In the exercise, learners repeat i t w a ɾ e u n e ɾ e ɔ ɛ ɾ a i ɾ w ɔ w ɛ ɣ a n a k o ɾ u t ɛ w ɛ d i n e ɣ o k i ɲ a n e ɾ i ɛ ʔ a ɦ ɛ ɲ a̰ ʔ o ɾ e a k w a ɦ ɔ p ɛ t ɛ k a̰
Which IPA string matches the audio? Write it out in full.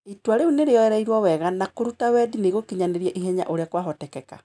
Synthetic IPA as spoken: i t w a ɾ e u n e ɾ e ɔ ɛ ɾ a i ɾ w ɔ w ɛ ɣ a n a k o ɾ u t a w ɛ d i n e ɣ o k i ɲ a n e ɾ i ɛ ʔ i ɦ ɛ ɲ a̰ ʔ o ɾ e a k w a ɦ ɔ t ɛ k ɛ k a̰